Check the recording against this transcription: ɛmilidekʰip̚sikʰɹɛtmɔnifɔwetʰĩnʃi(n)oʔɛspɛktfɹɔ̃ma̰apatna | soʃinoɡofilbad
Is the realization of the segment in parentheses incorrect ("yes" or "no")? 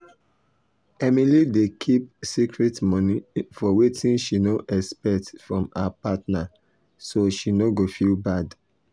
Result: no